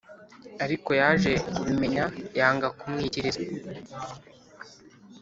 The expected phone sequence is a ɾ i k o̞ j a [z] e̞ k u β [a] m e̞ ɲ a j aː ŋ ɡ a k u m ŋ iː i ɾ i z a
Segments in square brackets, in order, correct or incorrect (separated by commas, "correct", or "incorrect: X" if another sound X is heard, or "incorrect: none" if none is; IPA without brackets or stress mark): incorrect: ʒ, incorrect: i